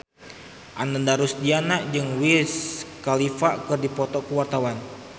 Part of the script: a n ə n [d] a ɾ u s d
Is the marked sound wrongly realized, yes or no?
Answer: no